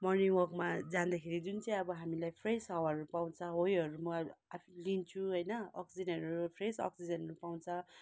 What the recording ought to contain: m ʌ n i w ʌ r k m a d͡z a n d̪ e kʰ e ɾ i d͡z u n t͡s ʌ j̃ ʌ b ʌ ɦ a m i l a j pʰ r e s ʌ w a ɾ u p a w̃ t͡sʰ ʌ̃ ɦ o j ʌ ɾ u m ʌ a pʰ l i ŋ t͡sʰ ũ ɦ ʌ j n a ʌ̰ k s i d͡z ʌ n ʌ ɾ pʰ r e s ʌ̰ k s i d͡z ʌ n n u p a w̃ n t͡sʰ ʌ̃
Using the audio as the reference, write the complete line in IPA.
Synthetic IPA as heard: m ʌ n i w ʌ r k m a d͡z a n d̪ a kʰ e ɾ i d͡z u n t͡s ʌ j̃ ʌ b ʌ ɦ a m i l a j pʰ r e s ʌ w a ɾ u p a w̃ t͡sʰ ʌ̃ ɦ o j ʌ ɾ u m ʌ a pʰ l i n t͡sʰ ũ ɦ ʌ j n ʌ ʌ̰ k s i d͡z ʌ n ʌ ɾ pʰ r e s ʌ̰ k s i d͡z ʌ n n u p a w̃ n t͡sʰ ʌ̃